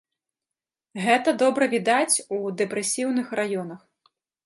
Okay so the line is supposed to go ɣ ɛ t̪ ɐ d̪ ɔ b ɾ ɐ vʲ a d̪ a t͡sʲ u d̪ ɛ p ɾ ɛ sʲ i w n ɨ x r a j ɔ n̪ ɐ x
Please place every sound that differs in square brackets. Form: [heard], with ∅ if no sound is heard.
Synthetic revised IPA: ɣ ɛ t̪ ɐ d̪ ɔ b ɾ ɐ vʲ [i] d̪ a t͡sʲ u d̪ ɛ p ɾ ɛ sʲ i w n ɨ x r a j ɔ n̪ ɐ x